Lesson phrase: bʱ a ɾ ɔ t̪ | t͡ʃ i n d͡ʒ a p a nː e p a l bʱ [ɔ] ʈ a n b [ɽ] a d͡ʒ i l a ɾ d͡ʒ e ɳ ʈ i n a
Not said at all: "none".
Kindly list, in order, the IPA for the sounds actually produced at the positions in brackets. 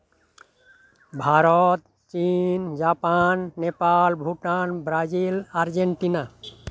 u, ɾ

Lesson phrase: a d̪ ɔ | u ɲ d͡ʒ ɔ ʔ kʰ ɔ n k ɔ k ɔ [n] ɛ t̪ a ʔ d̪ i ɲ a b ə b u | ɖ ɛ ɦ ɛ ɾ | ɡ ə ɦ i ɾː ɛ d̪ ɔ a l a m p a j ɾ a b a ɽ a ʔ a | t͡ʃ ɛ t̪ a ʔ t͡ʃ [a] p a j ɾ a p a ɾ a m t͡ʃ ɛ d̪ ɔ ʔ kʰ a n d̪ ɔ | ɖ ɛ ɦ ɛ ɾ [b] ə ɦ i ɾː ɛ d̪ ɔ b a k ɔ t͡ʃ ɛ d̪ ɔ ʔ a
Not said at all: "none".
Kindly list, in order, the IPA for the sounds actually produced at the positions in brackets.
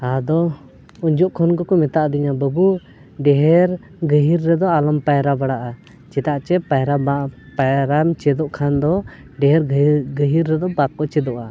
m, ɛ, ɡ

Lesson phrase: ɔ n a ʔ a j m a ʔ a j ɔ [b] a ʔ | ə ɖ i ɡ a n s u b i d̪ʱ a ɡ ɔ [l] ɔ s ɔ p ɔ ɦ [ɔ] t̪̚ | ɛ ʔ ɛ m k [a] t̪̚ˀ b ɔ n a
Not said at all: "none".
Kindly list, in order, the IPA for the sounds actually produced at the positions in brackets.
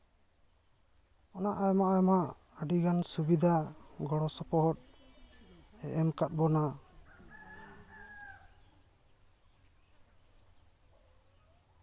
m, ɽ, ɔ, a

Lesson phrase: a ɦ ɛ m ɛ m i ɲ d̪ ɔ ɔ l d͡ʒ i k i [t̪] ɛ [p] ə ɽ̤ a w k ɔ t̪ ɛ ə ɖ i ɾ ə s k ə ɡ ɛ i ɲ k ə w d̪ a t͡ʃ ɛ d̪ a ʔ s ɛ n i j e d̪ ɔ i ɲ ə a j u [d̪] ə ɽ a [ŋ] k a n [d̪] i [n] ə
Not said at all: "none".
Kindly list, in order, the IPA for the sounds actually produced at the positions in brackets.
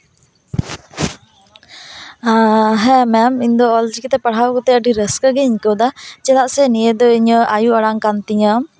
t̪, p, none, ŋ, t̪, ɲ

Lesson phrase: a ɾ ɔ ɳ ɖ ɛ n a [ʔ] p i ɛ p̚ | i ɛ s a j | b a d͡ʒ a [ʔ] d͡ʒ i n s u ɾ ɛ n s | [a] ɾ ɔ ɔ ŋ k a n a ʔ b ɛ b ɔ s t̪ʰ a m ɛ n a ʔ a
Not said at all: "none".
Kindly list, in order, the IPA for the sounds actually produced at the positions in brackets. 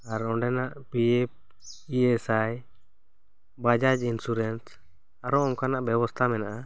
ʔ, none, a

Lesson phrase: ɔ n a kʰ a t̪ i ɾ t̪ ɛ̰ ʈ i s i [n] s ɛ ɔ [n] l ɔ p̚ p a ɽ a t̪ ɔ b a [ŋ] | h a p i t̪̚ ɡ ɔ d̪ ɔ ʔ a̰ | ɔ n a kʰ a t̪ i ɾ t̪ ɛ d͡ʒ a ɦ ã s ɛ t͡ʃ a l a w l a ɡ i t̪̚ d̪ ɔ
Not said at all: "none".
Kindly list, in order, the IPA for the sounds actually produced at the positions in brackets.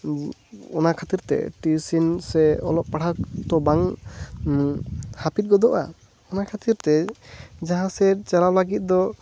n, none, ŋ

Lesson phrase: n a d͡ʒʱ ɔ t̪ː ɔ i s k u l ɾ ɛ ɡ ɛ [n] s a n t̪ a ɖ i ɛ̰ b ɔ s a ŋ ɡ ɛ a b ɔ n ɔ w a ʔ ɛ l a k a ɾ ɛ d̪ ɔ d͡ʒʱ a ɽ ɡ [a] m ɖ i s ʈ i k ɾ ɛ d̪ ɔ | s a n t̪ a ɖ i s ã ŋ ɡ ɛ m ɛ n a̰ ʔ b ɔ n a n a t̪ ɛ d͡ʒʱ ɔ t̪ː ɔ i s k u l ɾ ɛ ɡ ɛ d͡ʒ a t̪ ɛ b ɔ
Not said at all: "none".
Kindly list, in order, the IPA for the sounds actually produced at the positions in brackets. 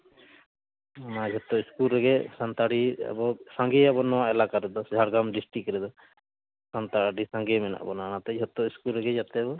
none, a

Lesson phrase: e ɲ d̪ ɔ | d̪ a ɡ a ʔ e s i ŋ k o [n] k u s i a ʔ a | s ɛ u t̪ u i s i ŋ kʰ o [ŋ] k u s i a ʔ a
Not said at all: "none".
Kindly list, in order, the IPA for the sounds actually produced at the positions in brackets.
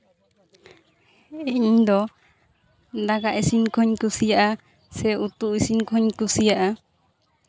ɲ, ɲ

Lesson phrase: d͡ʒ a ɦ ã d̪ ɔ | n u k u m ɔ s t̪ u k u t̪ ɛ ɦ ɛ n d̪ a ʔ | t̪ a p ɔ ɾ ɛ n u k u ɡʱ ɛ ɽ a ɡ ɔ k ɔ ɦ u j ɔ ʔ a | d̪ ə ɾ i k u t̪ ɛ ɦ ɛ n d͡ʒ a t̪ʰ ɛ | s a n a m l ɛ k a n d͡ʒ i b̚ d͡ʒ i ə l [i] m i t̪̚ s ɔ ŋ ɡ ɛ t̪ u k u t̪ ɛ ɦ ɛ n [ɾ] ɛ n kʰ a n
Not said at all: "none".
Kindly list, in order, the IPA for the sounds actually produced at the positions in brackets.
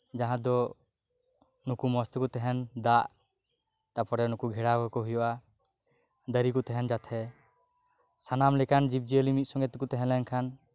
i, l

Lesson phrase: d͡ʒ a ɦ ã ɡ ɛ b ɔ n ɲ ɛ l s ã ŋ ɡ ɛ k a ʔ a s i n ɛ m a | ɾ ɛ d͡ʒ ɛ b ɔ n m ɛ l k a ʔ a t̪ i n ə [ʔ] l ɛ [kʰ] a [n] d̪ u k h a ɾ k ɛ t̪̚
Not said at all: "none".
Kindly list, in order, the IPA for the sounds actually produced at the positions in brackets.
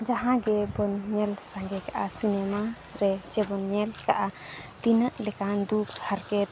ʔ, k, n

